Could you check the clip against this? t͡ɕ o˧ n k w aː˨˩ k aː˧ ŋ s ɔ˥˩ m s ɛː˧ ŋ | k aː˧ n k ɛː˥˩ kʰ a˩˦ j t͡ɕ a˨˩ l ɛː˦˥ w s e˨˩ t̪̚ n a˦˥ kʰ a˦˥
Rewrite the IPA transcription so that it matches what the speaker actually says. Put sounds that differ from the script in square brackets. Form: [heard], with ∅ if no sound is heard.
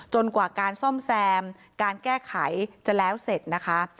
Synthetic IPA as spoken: t͡ɕ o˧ n k w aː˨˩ k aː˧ [n] s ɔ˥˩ m s ɛː˧ [m] | k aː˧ n k ɛː˥˩ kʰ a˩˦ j t͡ɕ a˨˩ l ɛː˦˥ w s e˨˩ t̪̚ n a˦˥ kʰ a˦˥